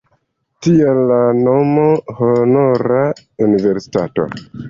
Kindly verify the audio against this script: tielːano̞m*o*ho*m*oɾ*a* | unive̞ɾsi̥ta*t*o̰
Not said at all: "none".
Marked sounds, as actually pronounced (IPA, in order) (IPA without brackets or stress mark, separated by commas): o, n, a, t